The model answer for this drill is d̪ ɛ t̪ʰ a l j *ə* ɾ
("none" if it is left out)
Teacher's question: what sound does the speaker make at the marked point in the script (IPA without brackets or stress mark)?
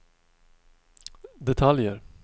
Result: ə